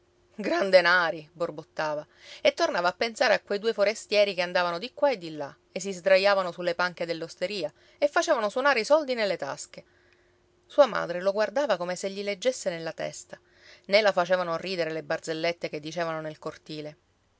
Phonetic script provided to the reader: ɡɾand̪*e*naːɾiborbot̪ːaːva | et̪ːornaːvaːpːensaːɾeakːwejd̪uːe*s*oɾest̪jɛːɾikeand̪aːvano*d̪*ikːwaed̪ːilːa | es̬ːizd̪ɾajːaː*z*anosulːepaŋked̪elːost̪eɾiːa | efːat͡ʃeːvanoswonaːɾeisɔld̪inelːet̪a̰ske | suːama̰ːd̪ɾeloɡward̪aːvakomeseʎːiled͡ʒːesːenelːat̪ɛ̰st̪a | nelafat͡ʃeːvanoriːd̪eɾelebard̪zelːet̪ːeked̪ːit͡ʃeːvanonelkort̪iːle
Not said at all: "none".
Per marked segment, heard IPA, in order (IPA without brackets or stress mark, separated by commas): e, f, d̪, v